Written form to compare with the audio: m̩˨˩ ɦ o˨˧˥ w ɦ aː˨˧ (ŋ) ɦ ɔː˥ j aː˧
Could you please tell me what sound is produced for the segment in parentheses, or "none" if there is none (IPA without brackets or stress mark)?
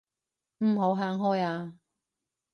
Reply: ŋ